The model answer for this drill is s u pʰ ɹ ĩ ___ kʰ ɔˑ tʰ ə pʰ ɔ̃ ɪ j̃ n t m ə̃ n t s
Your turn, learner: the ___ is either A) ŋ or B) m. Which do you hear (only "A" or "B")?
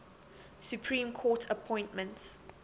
B